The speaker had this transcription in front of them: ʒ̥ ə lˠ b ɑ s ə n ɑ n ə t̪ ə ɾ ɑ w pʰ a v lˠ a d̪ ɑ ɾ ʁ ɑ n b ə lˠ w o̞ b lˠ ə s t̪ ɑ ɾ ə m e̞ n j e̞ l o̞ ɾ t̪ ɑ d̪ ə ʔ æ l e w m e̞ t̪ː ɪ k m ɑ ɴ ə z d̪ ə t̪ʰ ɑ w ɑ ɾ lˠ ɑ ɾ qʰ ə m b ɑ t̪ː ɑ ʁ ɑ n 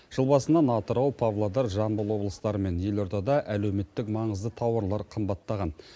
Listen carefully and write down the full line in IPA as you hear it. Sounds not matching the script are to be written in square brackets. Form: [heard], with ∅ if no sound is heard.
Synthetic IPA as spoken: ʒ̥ ə lˠ b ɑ s ə n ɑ n [ɑ] t̪ ə ɾ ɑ w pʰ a v lˠ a d̪ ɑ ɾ [ʒ] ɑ n b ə lˠ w o̞ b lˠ ə s t̪ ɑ ɾ ə m e̞ n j e̞ l o̞ ɾ t̪ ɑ d̪ [ɑ] ʔ æ l e w m e̞ t̪ː ɪ k m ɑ ɴ ə z d̪ ə t̪ʰ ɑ w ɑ ɾ lˠ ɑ ɾ qʰ ə m b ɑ t̪ː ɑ ʁ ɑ n